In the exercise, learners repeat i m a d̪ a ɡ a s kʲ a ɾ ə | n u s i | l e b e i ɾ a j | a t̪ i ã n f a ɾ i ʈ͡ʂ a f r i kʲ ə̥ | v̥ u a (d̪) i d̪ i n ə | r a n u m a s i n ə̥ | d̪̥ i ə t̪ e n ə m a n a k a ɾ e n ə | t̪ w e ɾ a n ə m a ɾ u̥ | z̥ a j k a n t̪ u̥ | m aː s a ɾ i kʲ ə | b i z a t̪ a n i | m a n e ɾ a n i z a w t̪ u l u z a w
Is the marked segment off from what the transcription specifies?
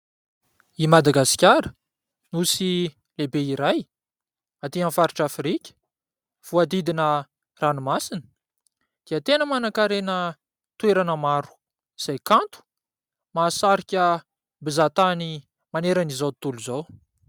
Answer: no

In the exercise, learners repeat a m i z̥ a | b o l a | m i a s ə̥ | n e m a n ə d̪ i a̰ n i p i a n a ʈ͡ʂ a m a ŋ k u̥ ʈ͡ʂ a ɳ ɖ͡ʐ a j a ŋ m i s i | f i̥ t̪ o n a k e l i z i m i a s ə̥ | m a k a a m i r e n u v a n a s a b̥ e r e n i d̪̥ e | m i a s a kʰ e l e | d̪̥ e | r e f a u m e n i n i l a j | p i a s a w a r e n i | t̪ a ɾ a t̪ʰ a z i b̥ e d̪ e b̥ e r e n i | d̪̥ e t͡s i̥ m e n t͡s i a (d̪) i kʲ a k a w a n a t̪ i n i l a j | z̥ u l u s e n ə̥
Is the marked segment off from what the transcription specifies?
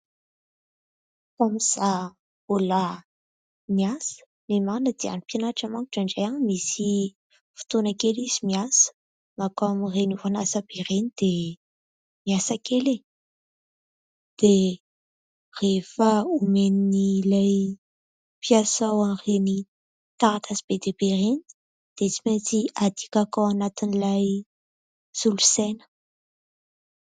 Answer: no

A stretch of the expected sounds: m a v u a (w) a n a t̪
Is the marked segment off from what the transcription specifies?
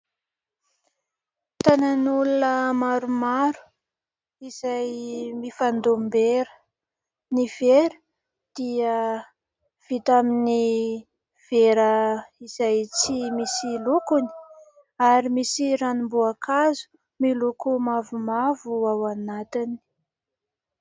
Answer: no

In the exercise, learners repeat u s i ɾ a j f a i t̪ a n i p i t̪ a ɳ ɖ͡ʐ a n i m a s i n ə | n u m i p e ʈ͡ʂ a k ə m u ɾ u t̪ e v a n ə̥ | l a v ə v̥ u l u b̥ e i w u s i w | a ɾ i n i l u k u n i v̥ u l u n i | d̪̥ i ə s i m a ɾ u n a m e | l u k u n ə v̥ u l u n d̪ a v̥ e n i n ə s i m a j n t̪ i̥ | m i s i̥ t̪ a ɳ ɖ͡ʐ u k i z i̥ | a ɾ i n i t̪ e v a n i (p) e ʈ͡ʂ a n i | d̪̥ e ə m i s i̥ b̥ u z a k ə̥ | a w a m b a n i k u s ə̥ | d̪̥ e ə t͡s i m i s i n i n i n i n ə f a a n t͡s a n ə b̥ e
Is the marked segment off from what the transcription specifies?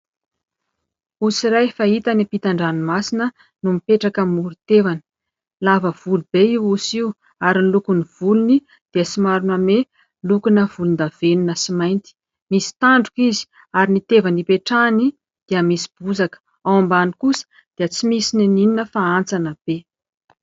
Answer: no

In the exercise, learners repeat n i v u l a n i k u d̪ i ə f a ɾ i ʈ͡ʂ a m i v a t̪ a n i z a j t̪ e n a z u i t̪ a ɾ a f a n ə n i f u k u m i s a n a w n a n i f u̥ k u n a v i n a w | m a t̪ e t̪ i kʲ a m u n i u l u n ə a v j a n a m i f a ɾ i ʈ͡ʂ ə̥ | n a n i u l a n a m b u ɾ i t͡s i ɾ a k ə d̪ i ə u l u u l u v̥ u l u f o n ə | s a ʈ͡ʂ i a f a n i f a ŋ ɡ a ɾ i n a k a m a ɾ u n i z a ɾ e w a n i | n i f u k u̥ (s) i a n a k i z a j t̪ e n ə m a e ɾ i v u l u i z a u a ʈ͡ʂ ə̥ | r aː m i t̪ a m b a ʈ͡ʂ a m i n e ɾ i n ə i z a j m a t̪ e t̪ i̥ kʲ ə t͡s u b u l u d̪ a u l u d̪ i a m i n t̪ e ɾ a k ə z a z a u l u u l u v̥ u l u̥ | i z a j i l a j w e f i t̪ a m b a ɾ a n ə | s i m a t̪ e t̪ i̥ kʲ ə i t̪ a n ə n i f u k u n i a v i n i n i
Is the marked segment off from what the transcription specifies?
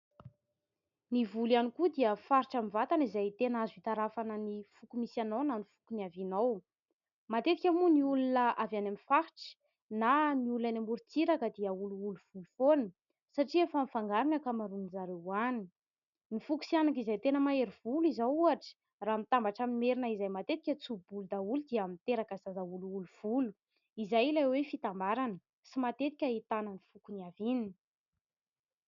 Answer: no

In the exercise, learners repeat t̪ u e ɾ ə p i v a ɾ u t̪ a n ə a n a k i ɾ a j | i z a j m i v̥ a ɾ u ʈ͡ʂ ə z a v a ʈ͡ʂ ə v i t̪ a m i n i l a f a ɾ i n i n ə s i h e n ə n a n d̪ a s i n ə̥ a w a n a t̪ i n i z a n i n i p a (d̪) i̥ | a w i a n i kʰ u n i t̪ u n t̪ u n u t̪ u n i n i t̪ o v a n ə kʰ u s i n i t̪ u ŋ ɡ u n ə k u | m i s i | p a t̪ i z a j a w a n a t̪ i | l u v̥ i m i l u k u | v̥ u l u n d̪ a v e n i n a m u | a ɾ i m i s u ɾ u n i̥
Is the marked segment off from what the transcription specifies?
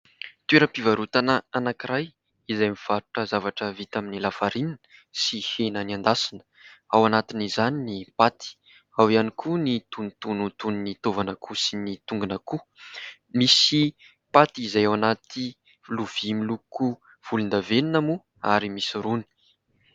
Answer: yes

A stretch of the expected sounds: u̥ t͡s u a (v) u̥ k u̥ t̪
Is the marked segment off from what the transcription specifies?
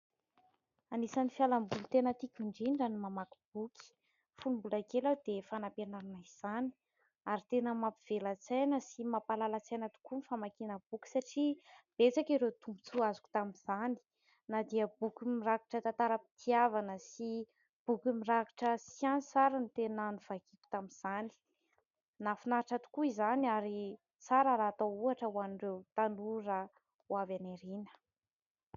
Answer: yes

